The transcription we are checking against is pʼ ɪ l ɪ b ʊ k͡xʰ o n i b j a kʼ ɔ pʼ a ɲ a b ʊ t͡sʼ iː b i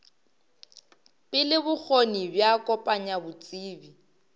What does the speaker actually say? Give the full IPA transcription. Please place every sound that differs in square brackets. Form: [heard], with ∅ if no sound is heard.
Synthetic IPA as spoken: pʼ ɪ l ɪ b ʊ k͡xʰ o n i b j a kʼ ɔ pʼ a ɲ a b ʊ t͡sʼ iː b i